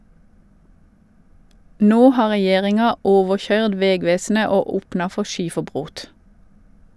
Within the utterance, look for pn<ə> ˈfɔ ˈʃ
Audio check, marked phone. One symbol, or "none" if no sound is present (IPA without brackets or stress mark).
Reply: ɑ